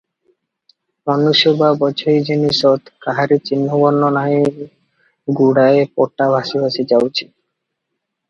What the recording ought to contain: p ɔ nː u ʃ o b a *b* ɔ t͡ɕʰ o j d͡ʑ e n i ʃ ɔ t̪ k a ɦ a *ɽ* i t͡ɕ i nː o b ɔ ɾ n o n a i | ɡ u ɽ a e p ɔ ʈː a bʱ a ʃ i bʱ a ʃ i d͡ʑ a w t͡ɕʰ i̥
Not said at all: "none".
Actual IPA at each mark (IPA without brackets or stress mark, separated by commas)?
b, ɾ